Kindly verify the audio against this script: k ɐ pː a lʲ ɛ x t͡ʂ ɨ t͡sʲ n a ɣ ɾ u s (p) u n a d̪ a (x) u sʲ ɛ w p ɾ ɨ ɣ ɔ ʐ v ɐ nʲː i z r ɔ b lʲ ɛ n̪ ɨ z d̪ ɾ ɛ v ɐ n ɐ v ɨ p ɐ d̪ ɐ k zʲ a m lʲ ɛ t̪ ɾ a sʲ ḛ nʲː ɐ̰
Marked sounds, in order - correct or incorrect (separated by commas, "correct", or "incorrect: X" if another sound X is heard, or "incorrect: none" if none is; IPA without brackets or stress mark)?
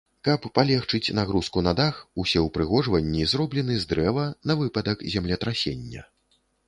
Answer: incorrect: k, correct